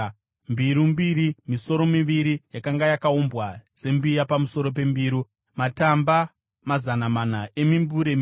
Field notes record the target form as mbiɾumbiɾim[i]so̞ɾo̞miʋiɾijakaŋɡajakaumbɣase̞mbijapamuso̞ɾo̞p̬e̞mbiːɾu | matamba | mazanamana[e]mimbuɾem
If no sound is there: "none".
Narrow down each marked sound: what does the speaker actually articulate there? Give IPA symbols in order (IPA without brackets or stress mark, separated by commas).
i, e